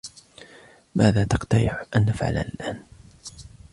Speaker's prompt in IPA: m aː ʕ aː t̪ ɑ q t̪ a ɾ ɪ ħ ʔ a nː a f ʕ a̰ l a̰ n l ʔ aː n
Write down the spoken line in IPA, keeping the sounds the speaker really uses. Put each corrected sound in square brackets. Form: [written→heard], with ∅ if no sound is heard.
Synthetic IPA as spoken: m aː [ʕ→ð] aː t̪ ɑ q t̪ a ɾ ɪ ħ ʔ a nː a f ʕ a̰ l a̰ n l ʔ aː n